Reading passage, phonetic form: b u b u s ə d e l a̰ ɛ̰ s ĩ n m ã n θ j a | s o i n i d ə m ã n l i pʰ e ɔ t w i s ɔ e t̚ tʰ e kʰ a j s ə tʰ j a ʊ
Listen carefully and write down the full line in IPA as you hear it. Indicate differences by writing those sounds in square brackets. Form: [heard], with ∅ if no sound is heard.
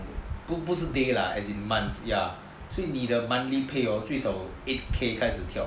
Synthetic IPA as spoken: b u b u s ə d e l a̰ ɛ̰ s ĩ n m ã n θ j a | s o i n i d ə m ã n l i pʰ e ɔ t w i s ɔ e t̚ [kʰ] e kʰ a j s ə tʰ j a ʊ